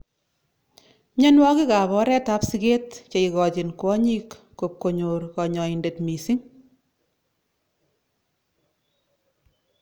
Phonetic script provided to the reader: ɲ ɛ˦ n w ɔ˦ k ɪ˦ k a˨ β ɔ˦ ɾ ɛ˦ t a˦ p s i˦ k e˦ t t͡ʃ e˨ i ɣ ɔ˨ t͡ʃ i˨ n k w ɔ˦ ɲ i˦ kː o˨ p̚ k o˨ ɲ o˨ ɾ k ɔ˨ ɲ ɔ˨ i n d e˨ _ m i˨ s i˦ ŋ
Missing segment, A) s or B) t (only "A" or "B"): B